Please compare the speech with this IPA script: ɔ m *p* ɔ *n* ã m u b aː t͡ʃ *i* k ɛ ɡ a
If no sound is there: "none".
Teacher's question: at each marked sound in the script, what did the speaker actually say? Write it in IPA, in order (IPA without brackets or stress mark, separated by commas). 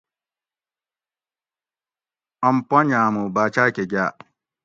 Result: p, ɲ, a